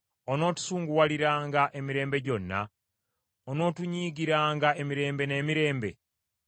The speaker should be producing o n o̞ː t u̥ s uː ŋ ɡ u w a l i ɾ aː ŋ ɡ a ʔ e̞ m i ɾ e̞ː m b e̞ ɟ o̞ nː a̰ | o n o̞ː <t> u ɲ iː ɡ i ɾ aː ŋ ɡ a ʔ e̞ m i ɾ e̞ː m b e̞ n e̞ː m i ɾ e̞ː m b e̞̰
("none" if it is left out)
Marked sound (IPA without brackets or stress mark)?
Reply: t